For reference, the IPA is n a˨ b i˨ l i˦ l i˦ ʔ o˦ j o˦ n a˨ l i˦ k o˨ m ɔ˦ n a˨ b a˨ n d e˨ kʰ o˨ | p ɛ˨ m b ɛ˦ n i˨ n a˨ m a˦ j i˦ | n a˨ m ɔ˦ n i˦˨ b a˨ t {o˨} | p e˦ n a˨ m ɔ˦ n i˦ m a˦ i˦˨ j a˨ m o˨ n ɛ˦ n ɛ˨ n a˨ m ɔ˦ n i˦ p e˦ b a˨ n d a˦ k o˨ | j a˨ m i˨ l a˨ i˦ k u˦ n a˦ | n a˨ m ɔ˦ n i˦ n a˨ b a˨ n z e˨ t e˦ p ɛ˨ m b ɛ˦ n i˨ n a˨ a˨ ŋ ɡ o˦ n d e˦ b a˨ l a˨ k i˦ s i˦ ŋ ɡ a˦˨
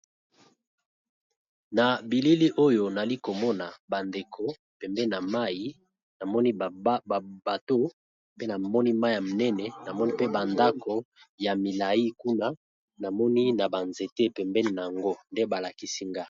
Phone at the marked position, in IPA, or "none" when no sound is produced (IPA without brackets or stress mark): o˦